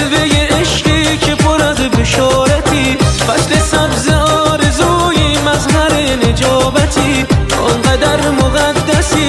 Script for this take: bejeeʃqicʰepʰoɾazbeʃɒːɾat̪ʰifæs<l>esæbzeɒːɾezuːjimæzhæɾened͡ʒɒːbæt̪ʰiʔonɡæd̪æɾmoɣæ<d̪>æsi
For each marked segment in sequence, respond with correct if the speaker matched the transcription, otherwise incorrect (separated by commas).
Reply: correct, incorrect